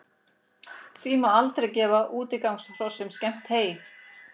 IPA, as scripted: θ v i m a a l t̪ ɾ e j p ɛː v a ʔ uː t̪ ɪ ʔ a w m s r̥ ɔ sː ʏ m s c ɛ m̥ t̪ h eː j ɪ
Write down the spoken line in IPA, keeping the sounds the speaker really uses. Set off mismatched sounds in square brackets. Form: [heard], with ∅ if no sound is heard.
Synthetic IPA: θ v i m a a l t̪ ɾ e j [c] ɛː v a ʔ uː t̪ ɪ [k] a w [ŋ] s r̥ ɔ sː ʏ m s c ɛ m̥ t̪ h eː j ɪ